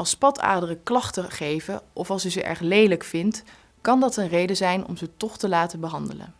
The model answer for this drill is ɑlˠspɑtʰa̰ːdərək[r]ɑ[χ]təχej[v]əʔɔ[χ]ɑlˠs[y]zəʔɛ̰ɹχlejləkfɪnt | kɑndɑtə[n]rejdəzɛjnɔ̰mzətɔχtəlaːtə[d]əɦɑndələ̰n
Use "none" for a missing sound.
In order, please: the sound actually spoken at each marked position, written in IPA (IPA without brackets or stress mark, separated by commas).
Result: l, χ, v, f, y, n, b